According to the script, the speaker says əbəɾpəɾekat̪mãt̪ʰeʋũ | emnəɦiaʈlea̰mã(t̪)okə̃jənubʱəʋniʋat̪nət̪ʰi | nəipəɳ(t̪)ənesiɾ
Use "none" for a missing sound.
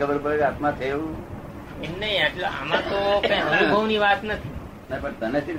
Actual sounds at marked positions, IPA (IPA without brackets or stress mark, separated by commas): t̪, t̪